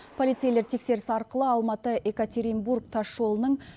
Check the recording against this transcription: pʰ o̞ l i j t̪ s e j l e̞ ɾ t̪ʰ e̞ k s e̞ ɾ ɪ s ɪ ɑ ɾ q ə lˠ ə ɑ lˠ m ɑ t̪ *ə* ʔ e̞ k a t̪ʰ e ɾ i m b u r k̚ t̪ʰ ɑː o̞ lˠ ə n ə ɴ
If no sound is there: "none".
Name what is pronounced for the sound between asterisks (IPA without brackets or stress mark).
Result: ə